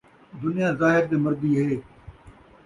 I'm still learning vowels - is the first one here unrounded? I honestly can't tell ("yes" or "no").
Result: no